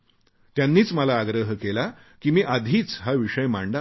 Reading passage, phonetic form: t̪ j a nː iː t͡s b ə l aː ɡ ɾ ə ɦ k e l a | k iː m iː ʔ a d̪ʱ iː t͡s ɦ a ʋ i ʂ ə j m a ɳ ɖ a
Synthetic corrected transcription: t̪ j a nː iː t͡s m ə l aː ɡ ɾ ə ɦ k e l a | k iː m iː ʔ a d̪ʱ iː t͡s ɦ a ʋ i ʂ ə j m a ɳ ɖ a